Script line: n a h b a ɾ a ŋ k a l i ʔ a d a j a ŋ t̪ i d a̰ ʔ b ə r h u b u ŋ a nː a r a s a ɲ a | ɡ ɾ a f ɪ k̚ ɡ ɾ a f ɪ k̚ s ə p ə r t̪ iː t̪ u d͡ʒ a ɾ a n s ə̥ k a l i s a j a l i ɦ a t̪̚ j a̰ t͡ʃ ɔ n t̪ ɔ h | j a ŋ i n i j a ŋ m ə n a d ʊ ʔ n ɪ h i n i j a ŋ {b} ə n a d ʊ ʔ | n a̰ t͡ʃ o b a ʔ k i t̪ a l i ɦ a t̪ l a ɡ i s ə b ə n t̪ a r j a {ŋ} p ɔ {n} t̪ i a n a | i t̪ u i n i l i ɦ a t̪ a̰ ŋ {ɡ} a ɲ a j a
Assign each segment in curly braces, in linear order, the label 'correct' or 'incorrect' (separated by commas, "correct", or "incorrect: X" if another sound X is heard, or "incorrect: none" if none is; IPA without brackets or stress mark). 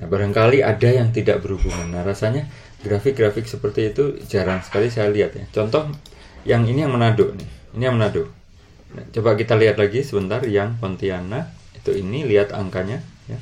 incorrect: m, correct, correct, incorrect: k